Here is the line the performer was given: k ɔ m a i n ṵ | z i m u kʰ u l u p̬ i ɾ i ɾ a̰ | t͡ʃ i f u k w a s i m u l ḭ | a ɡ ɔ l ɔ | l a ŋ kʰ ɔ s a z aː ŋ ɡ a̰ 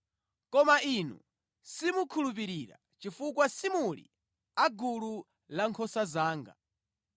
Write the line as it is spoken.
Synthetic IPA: k ɔ m a i n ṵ | s i m u kʰ u l u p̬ i ɾ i ɾ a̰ | t͡ʃ i f u k w a s i m u l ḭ | a ɡ u l u | l a ŋ kʰ ɔ s a z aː ŋ ɡ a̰